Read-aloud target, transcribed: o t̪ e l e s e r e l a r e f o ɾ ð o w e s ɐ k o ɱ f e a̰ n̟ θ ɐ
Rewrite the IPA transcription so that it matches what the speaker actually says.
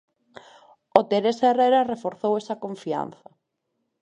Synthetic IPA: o t̪ e ɾ e s e r e ɾ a r e f o ɾ θ o w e s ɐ k o ɱ f i a̰ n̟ θ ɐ